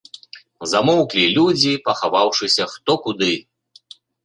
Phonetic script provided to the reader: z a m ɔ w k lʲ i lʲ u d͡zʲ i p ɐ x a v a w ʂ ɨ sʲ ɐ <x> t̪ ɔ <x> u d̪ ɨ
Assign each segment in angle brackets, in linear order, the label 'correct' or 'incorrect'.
correct, incorrect

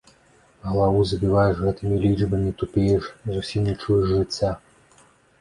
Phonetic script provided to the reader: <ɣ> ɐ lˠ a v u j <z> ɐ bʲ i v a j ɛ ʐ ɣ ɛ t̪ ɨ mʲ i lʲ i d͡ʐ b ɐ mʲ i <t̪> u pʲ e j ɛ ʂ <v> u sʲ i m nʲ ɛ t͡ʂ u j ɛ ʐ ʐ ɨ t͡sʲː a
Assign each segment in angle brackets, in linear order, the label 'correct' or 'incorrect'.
correct, correct, correct, incorrect

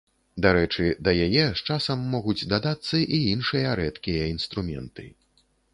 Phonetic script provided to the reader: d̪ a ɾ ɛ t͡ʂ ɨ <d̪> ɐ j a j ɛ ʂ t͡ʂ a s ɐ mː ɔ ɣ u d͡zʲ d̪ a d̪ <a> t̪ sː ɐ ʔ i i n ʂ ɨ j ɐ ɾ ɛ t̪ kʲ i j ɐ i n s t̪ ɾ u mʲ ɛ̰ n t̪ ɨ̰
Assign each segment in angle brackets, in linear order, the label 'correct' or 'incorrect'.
correct, correct

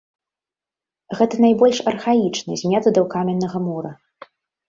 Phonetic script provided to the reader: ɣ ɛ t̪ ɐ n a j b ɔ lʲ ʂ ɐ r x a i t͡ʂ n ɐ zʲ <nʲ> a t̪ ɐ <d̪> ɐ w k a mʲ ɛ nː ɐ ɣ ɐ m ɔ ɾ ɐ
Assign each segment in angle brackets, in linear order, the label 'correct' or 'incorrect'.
incorrect, correct

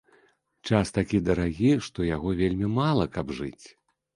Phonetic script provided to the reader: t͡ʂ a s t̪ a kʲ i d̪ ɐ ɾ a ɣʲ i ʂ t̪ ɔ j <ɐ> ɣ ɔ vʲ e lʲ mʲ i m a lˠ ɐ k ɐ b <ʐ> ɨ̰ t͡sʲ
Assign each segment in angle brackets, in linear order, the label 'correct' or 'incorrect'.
incorrect, correct

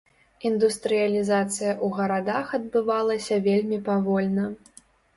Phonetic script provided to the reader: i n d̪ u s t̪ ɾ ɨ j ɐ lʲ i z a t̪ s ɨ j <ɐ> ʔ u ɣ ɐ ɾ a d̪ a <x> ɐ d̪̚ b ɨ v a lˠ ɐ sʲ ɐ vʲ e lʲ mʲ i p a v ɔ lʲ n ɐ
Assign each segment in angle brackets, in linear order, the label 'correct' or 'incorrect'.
correct, correct

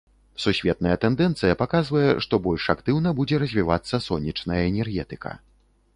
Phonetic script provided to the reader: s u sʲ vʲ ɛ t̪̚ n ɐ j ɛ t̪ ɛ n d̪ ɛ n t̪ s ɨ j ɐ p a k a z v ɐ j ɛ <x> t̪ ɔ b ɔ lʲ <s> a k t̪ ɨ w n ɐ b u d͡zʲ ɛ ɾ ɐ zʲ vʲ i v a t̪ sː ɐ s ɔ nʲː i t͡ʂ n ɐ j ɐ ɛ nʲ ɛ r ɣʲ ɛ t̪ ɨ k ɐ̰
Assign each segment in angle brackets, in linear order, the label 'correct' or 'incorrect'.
incorrect, incorrect

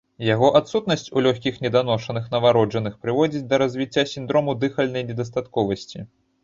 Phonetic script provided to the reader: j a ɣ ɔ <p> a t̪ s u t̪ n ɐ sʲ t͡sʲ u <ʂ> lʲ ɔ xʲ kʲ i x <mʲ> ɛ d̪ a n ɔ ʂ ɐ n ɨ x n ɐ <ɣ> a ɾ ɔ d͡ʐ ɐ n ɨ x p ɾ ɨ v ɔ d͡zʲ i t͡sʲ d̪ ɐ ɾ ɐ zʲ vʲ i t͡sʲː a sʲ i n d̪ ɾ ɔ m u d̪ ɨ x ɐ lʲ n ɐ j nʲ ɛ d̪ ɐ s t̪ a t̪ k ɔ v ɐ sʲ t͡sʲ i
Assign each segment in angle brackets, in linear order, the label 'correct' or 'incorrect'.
incorrect, incorrect, incorrect, incorrect

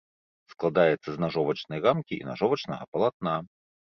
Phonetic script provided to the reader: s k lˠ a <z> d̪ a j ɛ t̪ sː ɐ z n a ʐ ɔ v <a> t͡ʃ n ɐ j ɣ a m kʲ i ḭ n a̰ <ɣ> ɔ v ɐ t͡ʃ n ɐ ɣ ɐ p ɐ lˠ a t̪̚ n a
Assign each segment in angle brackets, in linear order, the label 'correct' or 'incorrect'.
incorrect, incorrect, incorrect

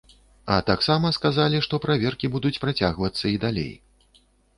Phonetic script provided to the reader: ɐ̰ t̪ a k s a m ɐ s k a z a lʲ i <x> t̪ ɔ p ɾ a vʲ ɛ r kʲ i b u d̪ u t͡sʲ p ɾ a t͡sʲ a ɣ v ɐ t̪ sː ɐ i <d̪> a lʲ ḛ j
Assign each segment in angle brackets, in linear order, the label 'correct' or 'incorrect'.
incorrect, correct

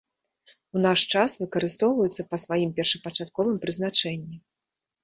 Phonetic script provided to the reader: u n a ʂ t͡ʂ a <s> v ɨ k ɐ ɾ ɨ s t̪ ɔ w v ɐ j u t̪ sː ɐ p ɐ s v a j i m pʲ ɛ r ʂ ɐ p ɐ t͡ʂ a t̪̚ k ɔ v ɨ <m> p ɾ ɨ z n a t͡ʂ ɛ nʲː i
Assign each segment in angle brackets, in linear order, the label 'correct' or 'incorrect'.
correct, correct

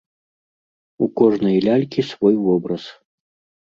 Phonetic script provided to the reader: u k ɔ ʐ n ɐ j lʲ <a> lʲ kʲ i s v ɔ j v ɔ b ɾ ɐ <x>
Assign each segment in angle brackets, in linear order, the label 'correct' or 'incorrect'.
correct, incorrect

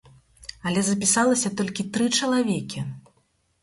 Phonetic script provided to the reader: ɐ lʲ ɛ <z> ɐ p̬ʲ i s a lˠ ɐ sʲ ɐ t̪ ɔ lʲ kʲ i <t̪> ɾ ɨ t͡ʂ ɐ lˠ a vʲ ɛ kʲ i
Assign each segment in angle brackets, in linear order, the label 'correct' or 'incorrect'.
correct, correct

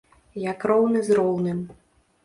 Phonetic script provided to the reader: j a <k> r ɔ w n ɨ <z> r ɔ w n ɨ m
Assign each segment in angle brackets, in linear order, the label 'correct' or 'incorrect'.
correct, correct

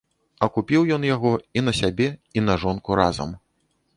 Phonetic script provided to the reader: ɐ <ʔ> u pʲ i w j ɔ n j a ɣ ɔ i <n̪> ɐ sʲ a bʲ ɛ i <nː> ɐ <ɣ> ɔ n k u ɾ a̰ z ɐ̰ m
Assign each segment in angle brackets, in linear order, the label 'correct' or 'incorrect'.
incorrect, correct, incorrect, incorrect

